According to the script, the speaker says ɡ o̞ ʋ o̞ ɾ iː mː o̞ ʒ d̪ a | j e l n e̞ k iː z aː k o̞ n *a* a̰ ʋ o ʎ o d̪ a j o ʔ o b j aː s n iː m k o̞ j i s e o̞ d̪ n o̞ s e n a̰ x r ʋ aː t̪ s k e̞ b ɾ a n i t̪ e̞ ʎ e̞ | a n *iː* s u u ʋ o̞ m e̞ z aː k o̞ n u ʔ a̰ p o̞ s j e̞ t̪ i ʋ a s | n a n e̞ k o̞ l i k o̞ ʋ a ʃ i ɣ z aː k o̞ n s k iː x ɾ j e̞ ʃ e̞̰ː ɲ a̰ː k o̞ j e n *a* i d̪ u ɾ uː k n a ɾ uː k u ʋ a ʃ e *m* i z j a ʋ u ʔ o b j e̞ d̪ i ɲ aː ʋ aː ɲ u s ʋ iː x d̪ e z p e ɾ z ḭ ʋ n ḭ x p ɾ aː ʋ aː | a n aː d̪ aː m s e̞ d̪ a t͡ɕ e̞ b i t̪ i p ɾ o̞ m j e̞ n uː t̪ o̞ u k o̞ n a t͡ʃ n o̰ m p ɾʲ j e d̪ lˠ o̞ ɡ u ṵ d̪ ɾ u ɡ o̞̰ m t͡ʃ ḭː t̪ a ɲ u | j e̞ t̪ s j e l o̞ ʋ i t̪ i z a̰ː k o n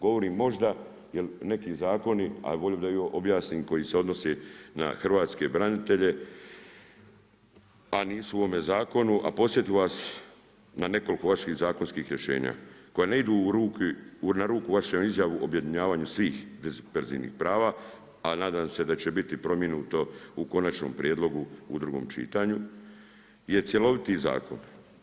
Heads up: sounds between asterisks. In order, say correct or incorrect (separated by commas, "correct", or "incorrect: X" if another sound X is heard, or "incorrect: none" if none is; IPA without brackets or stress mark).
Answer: incorrect: i, correct, incorrect: e, correct